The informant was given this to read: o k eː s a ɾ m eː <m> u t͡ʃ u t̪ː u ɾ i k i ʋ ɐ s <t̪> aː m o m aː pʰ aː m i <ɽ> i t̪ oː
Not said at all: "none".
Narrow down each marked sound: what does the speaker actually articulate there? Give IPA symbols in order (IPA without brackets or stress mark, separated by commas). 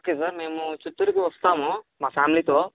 m, t̪, l